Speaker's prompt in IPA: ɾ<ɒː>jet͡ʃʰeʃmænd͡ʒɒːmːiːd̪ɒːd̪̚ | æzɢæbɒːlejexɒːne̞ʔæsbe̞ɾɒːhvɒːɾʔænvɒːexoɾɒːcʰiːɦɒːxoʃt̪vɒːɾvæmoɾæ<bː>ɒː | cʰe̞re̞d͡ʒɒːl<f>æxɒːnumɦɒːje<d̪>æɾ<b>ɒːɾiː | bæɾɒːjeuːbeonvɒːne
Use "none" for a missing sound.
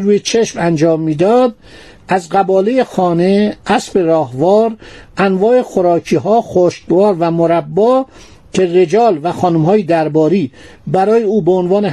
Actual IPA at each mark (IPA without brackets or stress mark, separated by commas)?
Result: uː, bː, v, d̪, b